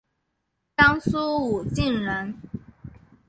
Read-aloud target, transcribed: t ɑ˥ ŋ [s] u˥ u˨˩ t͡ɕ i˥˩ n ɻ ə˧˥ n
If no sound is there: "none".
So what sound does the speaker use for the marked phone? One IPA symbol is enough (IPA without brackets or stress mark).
s